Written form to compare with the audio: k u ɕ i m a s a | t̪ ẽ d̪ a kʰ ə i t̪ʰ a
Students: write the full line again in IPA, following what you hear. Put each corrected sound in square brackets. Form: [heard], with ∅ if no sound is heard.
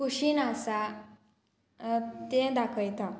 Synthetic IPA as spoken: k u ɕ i [n] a s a | t̪ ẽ d̪ a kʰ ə [j] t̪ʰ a